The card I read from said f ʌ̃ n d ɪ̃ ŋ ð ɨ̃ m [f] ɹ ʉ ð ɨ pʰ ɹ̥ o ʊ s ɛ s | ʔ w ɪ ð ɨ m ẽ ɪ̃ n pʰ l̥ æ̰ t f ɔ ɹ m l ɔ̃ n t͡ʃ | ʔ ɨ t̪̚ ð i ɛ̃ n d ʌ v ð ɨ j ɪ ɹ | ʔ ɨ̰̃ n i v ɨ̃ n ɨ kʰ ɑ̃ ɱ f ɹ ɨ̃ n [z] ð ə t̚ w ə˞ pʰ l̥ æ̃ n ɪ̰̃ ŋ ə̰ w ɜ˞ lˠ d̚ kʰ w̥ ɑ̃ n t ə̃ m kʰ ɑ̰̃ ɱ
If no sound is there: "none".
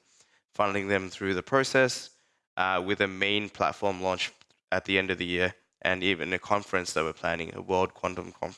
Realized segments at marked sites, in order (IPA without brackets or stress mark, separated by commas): θ, s